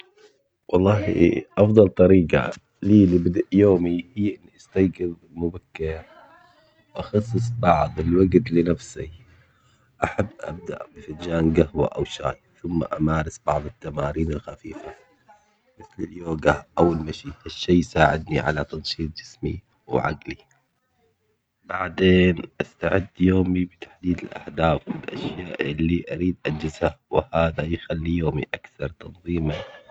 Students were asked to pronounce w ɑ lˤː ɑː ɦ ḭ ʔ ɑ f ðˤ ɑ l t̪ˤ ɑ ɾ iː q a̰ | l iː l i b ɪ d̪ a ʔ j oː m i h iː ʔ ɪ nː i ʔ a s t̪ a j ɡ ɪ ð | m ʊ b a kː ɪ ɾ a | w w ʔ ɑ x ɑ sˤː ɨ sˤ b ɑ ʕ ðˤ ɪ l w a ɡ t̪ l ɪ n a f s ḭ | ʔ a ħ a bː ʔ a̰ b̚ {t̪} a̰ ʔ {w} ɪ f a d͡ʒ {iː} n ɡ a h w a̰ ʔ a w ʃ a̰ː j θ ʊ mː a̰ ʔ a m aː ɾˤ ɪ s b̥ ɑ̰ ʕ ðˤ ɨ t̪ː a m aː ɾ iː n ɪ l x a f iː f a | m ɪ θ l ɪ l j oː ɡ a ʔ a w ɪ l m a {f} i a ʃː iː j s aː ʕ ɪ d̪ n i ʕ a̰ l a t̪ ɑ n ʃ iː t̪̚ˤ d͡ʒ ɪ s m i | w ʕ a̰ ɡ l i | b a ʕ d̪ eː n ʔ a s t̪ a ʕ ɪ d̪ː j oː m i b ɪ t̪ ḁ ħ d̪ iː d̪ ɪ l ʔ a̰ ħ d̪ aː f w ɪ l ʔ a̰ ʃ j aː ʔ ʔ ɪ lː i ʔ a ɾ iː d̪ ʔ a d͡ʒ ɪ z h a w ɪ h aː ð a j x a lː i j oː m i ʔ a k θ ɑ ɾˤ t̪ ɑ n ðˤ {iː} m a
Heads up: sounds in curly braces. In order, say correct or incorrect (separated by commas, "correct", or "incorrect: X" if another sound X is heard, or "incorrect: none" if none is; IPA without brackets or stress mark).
incorrect: d̪, incorrect: b, incorrect: aː, incorrect: ʃ, correct